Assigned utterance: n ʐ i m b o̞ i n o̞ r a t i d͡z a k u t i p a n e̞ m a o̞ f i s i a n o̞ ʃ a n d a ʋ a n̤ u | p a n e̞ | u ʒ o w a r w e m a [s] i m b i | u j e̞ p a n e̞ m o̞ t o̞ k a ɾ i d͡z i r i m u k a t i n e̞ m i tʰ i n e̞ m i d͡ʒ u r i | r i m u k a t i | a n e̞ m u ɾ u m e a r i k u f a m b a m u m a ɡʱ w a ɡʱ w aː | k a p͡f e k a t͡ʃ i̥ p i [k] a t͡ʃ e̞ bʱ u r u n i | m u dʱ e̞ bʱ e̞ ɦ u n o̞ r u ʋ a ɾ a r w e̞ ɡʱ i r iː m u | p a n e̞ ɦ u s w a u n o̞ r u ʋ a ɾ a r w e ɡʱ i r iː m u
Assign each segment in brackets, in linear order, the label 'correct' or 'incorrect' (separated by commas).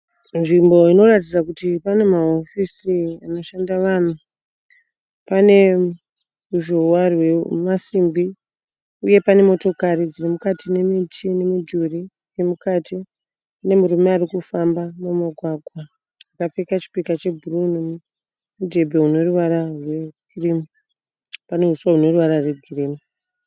correct, correct